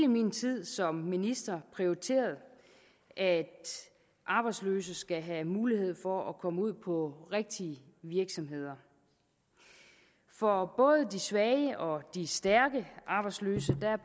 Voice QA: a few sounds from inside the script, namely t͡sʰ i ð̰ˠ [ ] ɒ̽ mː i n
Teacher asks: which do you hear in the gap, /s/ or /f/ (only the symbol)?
s